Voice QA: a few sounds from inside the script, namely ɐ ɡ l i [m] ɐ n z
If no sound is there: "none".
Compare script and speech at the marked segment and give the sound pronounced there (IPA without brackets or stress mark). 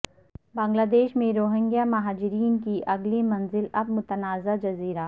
m